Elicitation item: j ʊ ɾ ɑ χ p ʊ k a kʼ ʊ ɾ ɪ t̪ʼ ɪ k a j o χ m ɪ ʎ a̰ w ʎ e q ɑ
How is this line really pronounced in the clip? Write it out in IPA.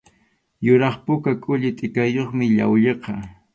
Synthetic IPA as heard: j ʊ ɾ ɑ χ p ʊ k a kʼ ʊ ʎ ɪ t̪ʼ ɪ k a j o χ m ɪ ʎ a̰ w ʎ e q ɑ

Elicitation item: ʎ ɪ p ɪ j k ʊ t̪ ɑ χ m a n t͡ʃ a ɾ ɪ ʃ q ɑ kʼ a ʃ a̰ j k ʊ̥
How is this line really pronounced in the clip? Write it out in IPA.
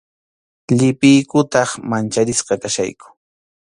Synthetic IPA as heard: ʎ ɪ p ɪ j k ʊ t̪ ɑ χ m a n t͡ʃ a ɾ ɪ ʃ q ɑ k a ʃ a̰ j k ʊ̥

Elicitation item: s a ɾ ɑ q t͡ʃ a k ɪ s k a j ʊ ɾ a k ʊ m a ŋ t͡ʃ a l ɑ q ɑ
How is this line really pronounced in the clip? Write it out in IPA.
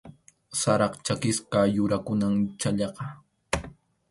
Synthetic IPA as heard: s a ɾ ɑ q t͡ʃ a k ɪ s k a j ʊ ɾ a k ʊ n a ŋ t͡ʃ a ʎ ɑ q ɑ

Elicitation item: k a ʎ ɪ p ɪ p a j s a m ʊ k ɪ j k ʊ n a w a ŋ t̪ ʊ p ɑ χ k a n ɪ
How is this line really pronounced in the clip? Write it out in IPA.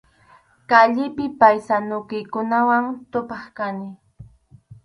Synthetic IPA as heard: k a ʎ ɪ p ɪ p a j s a n ʊ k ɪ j k ʊ n a w a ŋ t̪ ʊ p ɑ χ k a n ɪ

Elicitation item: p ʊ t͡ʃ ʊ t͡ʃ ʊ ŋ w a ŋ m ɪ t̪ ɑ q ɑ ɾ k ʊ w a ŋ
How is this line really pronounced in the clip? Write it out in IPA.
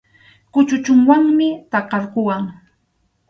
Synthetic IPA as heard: k ʊ t͡ʃ ʊ t͡ʃ ʊ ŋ w a ŋ m ɪ t̪ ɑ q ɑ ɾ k ʊ w a ŋ

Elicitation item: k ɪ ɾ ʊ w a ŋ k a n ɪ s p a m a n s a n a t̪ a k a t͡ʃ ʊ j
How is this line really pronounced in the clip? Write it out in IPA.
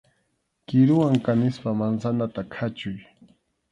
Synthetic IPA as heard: k ɪ ɾ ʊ w a ŋ k a n ɪ s p a m a n s a n a t̪ a kʰ a t͡ʃ ʊ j

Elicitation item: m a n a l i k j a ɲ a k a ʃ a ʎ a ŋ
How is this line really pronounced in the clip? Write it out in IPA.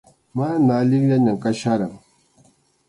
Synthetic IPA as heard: m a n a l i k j a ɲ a k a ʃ a ɾ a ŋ

